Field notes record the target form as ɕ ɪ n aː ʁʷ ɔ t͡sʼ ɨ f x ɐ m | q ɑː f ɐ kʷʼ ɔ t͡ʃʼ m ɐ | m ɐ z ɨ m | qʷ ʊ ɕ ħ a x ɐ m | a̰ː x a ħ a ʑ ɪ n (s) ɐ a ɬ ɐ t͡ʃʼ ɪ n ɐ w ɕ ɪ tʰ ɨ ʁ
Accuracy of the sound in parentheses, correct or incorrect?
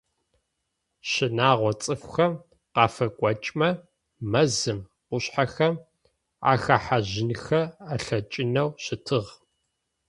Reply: incorrect